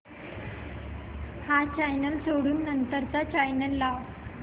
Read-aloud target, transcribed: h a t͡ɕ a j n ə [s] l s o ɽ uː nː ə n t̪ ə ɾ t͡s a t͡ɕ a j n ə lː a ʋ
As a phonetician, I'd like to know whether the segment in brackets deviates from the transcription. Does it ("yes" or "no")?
yes